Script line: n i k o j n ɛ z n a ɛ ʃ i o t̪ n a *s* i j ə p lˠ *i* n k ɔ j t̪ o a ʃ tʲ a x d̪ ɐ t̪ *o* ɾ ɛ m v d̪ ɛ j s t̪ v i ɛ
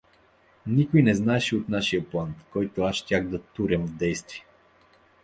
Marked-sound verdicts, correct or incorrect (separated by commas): incorrect, incorrect, incorrect